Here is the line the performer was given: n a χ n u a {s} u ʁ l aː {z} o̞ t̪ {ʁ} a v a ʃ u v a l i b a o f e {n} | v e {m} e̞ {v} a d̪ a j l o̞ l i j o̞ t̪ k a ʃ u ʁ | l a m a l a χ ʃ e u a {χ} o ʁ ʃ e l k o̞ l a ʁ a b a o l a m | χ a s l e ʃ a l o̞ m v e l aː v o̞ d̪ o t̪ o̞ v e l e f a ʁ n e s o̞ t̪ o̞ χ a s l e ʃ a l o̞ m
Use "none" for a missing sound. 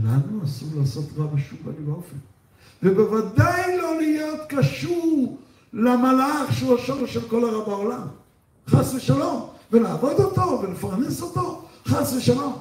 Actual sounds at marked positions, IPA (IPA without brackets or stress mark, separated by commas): s, s, ʁ, n, b, v, ʃ